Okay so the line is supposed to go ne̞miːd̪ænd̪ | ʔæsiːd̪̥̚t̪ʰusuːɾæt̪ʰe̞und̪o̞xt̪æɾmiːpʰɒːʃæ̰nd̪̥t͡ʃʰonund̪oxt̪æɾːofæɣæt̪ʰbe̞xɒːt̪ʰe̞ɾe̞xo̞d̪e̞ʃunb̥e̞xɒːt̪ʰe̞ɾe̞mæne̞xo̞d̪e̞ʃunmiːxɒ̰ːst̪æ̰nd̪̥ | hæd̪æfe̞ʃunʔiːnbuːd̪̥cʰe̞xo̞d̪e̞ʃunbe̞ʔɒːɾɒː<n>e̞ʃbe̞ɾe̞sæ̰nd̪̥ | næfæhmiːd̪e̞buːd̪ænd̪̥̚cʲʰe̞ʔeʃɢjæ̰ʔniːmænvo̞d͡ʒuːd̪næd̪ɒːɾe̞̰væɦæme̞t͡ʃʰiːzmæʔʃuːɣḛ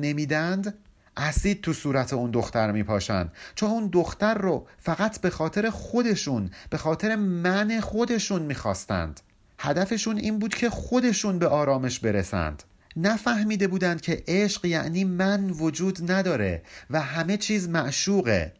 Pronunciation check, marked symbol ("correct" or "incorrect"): incorrect